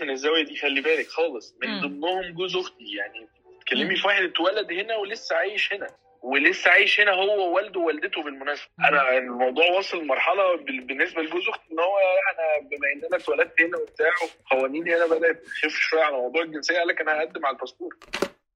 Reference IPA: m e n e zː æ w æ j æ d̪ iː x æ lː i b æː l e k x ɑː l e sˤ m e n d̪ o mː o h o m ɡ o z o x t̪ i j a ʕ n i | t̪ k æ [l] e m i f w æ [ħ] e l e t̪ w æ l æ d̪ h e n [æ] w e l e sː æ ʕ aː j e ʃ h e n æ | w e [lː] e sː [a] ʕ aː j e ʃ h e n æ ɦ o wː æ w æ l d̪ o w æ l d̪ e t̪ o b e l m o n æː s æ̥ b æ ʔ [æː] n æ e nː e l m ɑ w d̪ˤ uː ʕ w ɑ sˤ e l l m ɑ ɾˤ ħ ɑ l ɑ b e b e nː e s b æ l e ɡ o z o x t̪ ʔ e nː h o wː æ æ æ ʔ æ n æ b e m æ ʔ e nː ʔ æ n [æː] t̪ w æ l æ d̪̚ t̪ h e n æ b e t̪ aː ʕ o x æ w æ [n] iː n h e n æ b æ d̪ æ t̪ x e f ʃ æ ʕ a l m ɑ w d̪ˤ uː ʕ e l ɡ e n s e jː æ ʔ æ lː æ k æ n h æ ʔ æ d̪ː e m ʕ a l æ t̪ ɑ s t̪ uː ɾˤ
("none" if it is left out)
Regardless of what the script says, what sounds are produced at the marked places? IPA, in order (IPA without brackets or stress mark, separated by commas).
lː, ħ, æ, l, æ, æ, æ, n